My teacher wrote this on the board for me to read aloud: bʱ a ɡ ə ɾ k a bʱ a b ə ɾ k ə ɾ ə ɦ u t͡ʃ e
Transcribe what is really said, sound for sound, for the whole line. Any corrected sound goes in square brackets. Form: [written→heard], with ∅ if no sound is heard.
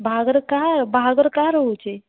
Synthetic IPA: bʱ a ɡ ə ɾ k a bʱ a [b→ɡ] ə ɾ k [ə→a] ɾ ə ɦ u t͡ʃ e